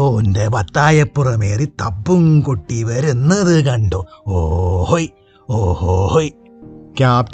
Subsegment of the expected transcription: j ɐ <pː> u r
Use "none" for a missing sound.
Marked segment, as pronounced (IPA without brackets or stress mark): pː